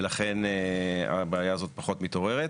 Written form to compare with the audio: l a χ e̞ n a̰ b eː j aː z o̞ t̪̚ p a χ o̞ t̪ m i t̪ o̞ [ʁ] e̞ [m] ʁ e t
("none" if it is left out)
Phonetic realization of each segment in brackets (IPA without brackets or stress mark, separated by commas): ʁ, none